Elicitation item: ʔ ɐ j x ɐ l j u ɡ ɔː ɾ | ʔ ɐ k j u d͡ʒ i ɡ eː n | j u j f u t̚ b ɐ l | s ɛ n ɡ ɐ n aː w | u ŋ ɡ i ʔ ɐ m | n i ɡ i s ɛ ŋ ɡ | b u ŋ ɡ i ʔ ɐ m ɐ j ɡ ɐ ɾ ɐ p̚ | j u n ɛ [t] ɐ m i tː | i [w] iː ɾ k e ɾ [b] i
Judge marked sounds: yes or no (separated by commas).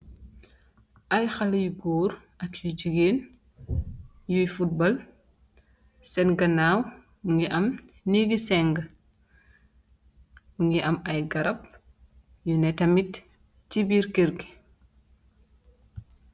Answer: yes, no, no